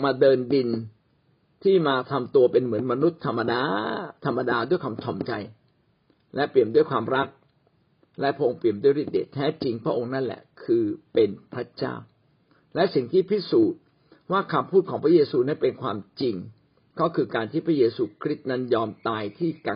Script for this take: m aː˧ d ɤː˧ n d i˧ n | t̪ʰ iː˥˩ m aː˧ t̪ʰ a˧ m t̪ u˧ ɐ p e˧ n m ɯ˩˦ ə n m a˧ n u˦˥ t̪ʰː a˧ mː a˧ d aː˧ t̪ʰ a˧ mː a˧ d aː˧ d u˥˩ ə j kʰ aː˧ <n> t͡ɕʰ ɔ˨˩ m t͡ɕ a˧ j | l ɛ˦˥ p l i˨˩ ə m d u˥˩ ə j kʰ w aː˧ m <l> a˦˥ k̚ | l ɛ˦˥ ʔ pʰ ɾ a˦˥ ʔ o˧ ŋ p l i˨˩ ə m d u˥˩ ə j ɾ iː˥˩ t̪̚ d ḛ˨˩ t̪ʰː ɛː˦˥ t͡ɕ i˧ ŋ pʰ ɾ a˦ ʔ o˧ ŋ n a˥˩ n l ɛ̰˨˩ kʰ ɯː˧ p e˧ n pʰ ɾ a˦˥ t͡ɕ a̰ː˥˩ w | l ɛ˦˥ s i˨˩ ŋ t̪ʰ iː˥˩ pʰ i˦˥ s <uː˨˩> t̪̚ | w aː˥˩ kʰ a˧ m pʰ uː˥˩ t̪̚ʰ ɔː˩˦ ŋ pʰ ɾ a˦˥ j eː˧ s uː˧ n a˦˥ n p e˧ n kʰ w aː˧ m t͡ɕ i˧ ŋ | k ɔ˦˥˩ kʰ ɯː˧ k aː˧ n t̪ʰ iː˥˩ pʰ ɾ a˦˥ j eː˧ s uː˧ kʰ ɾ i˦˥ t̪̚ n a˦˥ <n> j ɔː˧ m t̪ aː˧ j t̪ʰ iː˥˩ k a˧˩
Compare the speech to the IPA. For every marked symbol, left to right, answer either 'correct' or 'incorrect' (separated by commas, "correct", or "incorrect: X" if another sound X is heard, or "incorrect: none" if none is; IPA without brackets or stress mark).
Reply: incorrect: m, incorrect: ɾ, correct, correct